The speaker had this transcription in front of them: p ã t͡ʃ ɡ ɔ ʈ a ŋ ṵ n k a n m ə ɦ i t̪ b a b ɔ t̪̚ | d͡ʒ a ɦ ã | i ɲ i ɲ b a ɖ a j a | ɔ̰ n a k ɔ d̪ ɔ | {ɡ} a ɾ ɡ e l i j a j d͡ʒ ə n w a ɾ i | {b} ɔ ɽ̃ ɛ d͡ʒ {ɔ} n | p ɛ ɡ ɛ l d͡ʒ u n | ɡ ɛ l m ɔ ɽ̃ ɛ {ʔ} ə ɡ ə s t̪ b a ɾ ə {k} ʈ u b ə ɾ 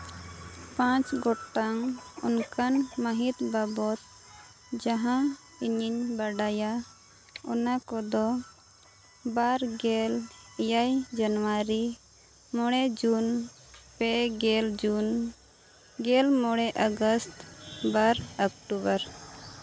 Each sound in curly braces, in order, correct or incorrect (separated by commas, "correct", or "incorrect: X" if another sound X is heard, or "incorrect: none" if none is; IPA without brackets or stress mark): incorrect: b, incorrect: m, incorrect: u, correct, correct